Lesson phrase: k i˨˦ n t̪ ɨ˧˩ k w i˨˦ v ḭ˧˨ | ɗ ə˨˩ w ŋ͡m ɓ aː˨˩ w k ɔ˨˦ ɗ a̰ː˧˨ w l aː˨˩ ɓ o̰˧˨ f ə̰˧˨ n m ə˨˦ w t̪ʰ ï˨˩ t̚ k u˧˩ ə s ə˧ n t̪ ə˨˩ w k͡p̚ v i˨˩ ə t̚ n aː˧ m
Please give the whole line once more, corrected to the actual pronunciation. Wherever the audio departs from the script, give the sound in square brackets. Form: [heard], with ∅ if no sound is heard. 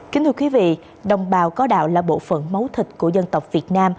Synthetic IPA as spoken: k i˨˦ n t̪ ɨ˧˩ k w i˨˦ v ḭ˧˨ | ɗ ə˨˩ w ŋ͡m ɓ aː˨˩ w k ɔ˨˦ ɗ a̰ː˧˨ w l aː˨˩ ɓ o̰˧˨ f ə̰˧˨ n m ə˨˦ w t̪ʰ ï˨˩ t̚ k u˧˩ ə [z] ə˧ n t̪ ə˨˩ w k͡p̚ v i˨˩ ə t̚ n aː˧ m